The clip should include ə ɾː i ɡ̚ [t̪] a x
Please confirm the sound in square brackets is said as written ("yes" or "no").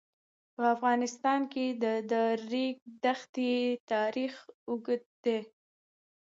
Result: no